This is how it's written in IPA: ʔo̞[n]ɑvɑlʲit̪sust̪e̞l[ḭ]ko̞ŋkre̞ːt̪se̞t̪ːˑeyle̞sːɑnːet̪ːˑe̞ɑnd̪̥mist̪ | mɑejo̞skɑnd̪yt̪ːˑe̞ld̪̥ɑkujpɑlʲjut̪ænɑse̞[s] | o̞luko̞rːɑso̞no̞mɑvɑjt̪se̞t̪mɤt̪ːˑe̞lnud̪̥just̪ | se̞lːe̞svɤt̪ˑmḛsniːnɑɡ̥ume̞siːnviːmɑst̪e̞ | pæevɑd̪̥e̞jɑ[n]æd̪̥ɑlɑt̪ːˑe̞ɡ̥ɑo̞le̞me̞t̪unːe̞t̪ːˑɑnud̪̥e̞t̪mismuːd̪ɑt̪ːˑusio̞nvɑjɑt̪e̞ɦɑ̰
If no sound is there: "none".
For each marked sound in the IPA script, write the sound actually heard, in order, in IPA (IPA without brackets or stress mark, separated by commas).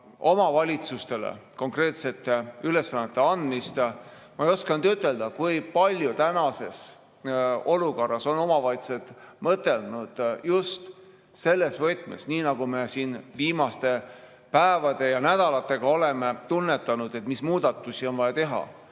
m, ḛ, s, n